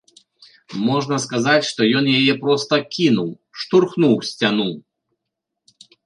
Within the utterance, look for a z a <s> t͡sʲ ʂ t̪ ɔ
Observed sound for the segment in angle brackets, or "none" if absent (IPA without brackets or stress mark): none